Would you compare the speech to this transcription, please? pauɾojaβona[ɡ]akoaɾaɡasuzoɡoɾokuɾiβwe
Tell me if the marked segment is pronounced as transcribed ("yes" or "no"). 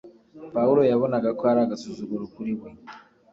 yes